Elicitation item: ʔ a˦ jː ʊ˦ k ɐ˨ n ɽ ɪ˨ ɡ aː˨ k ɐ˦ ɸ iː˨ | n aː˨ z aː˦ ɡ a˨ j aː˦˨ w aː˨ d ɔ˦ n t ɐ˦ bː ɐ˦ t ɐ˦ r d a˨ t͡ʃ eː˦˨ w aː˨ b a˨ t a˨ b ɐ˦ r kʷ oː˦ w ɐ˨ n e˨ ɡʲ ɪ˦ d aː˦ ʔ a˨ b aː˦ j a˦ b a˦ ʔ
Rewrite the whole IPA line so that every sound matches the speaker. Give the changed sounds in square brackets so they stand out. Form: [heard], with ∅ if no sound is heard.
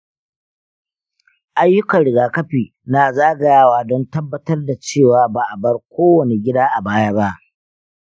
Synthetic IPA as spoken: ʔ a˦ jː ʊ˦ k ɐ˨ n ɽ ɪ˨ ɡ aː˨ k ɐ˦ ɸ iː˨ | n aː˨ z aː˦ ɡ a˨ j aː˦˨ w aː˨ d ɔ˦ n t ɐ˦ bː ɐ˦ t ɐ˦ r d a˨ t͡ʃ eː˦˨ w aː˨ b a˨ [ʔ] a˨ b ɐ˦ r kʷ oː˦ w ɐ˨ n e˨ ɡʲ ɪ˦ d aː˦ ʔ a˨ b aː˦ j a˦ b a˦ ʔ